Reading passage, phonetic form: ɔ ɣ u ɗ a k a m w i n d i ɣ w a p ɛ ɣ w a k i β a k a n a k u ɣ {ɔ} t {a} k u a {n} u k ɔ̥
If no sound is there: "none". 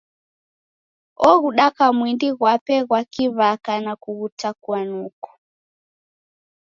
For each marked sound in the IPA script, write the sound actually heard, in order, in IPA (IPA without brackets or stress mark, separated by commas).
u, a, n